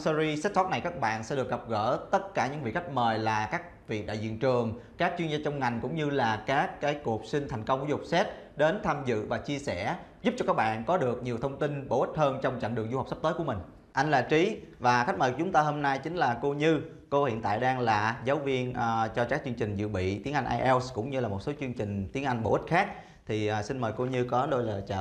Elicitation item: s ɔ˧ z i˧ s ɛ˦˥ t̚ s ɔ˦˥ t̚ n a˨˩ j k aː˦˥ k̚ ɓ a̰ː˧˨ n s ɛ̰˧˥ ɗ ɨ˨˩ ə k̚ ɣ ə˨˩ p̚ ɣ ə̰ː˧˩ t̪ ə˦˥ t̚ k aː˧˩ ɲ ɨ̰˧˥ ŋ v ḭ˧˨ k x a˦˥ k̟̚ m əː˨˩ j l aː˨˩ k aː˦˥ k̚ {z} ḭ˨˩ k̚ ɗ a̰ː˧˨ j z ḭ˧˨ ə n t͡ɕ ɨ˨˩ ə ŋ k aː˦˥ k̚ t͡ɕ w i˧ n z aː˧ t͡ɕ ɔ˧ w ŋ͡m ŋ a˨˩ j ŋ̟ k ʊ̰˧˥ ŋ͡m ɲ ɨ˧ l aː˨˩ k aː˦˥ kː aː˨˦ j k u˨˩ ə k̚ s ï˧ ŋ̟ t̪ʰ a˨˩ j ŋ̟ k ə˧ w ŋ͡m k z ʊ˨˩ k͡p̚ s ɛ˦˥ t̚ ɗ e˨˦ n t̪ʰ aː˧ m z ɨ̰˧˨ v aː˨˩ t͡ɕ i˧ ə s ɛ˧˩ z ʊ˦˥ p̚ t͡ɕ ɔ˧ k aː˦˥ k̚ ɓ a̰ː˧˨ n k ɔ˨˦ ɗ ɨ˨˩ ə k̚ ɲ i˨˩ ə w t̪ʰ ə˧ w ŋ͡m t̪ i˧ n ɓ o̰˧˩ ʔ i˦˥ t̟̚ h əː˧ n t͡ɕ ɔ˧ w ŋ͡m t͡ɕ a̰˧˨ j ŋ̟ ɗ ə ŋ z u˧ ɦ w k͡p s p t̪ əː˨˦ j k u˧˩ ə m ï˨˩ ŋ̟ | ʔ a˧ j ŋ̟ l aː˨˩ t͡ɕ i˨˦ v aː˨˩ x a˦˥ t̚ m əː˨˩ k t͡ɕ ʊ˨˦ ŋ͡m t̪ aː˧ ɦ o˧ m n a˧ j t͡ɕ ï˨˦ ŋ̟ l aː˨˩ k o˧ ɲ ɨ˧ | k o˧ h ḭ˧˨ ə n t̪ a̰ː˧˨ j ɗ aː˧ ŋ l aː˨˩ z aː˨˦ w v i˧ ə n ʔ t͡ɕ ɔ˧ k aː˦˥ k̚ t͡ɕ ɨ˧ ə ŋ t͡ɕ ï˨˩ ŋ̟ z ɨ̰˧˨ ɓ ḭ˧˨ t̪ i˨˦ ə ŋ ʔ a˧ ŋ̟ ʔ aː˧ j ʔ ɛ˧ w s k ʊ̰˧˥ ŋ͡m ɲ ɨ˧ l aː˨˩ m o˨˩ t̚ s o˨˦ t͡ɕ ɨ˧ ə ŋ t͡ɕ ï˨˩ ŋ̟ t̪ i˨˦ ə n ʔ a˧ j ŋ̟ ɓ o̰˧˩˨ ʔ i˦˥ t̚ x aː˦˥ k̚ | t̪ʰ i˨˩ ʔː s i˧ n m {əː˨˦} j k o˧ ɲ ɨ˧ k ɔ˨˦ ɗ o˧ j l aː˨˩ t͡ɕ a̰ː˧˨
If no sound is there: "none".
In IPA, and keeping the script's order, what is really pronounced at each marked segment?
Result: v, əː˨˩

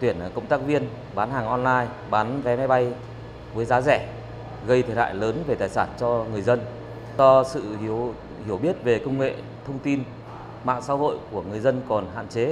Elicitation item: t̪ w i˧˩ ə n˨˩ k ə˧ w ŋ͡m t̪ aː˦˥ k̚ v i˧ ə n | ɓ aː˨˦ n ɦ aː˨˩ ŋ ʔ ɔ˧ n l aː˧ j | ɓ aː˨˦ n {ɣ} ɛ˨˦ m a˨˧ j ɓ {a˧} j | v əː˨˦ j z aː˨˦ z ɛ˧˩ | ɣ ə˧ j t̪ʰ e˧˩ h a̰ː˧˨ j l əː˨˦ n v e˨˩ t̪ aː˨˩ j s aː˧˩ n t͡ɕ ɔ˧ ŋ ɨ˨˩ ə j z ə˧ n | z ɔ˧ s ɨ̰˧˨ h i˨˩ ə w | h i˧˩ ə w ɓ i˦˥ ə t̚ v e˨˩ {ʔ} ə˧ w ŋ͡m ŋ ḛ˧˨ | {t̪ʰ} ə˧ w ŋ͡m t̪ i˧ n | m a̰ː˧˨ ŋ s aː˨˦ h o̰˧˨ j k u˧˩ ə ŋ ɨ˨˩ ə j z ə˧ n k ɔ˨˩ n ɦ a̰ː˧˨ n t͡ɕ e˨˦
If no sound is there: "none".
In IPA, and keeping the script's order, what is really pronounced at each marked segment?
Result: v, a˧, k, t̪ʰ

